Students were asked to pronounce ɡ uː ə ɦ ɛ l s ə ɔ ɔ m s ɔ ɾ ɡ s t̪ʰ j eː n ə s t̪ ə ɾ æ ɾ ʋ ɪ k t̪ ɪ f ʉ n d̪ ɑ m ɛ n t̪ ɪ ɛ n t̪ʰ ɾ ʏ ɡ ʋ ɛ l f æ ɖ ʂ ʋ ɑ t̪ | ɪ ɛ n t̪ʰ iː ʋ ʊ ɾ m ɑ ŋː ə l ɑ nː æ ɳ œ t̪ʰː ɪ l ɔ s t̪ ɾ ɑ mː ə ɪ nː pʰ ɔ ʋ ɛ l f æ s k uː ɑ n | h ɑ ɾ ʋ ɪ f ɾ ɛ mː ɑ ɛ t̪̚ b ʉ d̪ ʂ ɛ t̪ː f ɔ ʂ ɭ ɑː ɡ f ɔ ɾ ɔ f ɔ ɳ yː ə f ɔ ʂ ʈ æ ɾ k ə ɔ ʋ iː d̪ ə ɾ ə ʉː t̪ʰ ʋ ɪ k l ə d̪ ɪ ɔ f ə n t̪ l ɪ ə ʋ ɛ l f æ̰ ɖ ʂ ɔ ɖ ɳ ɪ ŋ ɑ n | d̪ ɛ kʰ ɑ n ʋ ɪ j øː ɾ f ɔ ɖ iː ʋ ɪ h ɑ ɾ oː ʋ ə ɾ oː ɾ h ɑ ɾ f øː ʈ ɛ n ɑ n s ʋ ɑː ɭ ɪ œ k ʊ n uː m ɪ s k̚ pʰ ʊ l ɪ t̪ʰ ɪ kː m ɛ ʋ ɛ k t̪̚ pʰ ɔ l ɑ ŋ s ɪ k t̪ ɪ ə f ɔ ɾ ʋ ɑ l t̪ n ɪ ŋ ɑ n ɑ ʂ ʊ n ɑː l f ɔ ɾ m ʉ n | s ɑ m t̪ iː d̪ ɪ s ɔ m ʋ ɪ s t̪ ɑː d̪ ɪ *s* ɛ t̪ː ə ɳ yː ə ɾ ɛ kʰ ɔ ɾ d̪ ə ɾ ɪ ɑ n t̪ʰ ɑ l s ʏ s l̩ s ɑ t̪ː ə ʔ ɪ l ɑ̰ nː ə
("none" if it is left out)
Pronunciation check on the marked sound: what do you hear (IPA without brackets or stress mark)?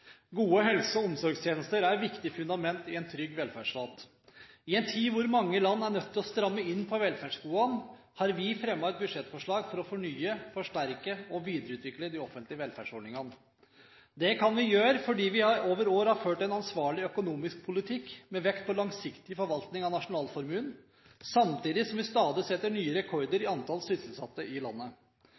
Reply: s